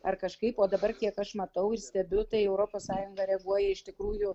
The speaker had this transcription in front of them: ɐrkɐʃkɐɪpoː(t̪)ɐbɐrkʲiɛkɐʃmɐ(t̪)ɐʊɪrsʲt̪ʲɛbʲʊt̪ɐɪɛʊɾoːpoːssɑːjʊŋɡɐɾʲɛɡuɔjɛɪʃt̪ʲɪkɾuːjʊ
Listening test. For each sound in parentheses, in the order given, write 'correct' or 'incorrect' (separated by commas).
incorrect, correct